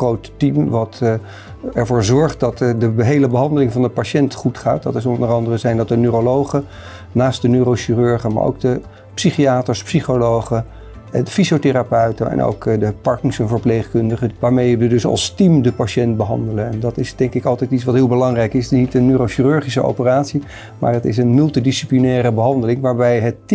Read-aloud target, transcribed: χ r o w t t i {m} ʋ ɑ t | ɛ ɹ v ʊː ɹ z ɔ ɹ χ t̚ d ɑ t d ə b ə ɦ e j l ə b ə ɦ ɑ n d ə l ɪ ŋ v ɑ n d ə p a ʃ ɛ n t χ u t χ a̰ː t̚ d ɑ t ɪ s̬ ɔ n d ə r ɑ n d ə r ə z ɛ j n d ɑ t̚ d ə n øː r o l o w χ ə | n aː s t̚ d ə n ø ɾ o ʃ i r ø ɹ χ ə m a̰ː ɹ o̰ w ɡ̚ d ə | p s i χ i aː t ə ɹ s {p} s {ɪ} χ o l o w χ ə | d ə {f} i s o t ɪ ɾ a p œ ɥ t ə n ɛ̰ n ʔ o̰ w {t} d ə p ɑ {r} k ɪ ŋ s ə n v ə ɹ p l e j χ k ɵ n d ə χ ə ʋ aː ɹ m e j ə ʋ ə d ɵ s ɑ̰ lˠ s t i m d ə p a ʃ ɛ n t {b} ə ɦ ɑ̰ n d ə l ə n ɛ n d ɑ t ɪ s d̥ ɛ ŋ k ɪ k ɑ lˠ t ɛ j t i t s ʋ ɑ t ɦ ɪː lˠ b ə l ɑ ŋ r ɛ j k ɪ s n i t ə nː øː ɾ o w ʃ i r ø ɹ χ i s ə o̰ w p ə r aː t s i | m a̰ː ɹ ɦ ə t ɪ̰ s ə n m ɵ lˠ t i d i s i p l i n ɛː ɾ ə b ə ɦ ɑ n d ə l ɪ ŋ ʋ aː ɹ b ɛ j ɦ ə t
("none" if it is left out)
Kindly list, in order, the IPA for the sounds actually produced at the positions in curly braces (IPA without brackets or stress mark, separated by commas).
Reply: m, p, i, f, k, ɹ, b